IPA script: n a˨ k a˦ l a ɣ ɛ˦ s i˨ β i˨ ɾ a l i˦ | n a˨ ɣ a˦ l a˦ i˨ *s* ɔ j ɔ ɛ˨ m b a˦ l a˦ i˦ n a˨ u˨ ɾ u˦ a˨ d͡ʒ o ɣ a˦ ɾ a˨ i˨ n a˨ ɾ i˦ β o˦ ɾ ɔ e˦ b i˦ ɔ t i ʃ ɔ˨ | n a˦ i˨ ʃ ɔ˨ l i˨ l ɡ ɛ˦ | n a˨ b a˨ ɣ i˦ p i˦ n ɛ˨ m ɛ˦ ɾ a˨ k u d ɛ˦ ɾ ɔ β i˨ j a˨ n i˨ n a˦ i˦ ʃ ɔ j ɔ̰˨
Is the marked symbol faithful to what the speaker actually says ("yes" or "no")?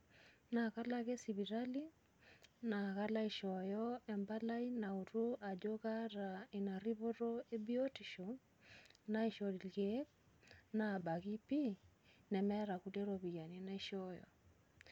no